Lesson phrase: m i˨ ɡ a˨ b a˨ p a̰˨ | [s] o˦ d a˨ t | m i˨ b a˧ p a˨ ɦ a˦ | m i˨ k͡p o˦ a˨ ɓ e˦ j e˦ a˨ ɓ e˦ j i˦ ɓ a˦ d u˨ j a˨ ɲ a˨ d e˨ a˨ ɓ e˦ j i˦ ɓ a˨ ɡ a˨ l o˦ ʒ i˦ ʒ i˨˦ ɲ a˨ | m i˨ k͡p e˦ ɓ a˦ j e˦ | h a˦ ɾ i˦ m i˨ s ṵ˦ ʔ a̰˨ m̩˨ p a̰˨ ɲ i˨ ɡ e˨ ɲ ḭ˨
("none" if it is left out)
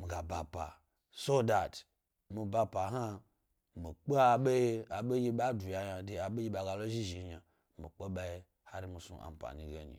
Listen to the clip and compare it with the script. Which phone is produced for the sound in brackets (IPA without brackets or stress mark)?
s